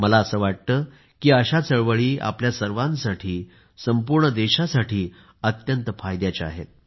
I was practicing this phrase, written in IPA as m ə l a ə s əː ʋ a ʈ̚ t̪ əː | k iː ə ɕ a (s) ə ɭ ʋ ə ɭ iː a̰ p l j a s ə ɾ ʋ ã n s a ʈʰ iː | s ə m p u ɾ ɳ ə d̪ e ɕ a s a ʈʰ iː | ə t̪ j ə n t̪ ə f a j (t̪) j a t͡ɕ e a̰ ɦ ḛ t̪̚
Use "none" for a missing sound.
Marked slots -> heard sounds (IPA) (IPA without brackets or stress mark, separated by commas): t͡s, d̪